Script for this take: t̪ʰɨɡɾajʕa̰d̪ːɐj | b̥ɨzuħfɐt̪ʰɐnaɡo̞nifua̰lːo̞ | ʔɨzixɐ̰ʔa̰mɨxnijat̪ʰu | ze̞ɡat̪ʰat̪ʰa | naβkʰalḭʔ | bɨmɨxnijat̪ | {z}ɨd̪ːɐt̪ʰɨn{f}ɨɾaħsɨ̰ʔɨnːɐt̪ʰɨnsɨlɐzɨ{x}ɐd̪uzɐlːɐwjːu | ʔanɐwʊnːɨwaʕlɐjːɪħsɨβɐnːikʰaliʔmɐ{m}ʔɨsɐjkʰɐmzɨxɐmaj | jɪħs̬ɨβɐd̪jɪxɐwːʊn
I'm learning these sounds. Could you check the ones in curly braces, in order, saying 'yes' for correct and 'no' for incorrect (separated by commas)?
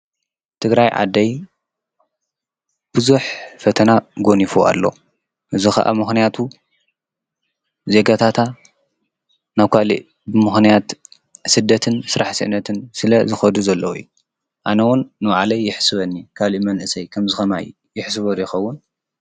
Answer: no, no, yes, no